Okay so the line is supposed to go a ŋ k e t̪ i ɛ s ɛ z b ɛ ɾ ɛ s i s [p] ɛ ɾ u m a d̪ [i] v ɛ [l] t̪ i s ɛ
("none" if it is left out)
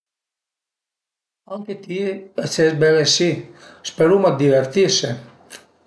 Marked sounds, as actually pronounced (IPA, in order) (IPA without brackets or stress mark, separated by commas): p, i, ɾ